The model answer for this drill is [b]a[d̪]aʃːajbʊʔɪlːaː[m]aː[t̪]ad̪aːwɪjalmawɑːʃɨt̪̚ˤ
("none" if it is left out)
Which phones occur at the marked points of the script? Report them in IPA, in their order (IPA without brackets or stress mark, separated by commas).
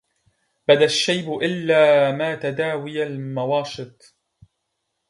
b, d̪, m, t̪